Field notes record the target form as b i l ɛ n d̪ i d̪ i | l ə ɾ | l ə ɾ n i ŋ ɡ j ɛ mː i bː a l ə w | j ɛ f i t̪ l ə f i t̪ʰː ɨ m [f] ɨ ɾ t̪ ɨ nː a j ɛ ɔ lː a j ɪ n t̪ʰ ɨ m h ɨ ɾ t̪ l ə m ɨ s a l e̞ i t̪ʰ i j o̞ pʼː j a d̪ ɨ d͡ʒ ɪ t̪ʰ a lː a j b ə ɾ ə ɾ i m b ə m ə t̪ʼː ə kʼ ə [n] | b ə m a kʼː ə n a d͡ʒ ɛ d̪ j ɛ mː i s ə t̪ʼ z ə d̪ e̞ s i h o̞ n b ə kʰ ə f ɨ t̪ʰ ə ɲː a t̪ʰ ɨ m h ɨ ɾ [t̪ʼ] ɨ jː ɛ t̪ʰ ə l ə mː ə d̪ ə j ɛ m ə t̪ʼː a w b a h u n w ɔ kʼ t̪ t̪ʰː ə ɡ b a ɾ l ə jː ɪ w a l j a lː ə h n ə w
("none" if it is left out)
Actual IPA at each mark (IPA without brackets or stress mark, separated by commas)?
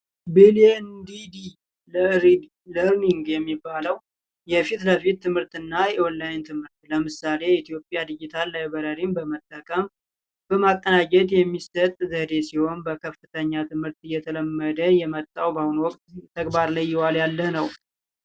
h, m, t̪